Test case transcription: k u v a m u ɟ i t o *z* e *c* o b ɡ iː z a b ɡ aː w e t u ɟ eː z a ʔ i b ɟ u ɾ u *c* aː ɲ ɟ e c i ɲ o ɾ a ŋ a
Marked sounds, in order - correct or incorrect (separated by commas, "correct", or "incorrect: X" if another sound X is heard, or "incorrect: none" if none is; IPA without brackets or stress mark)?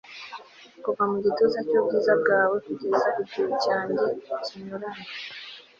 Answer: correct, correct, correct